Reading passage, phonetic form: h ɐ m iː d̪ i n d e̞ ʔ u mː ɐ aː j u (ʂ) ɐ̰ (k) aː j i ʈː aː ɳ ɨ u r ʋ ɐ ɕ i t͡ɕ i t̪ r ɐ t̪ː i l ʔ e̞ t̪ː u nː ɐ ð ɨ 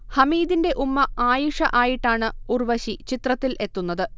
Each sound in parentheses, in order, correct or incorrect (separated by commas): correct, incorrect